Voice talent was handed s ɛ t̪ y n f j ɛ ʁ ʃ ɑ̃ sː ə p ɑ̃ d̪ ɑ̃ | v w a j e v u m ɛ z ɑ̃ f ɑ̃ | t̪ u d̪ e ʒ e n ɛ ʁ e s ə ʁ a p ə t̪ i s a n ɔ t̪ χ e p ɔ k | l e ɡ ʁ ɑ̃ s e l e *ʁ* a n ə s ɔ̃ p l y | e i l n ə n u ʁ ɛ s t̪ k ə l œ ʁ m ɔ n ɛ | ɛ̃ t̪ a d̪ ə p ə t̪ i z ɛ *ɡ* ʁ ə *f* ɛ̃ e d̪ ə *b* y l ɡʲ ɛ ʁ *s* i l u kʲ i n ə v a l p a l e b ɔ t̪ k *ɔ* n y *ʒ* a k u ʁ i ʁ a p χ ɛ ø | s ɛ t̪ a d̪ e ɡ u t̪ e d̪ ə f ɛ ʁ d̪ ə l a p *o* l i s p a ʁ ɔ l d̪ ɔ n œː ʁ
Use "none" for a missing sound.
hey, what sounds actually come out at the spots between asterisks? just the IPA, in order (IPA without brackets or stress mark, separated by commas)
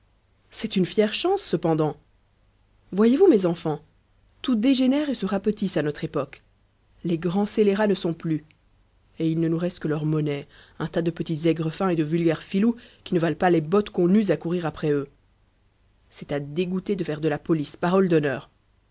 ʁ, ɡ, f, v, f, ɔ̃, z, ɔ